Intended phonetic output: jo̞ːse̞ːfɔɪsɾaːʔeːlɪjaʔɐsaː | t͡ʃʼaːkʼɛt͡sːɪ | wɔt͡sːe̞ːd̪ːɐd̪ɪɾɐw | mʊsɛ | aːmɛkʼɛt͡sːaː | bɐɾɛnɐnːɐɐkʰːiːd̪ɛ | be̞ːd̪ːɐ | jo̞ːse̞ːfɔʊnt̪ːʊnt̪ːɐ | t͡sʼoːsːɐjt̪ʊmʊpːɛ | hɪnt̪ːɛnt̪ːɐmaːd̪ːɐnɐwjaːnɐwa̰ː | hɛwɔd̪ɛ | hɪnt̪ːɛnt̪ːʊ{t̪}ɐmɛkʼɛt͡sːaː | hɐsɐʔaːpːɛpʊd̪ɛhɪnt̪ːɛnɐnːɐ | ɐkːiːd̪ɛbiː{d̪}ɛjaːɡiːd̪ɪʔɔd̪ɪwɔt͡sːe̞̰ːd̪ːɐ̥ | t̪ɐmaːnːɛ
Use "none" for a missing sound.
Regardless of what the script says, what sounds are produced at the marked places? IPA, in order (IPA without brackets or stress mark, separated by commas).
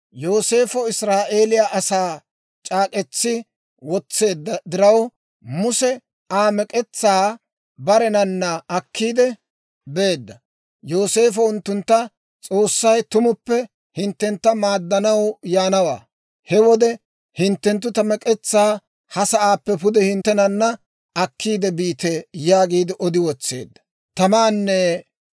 t̪, t̪